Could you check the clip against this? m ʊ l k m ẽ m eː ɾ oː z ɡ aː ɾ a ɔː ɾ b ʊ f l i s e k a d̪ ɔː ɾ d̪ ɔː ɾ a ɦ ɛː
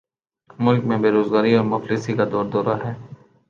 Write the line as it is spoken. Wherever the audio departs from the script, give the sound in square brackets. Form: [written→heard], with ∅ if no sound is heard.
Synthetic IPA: m ʊ l k m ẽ [m→b] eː ɾ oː z ɡ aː ɾ [a→i] ɔː ɾ [b→m] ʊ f l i s [e→i] k a d̪ ɔː ɾ d̪ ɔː ɾ a ɦ ɛː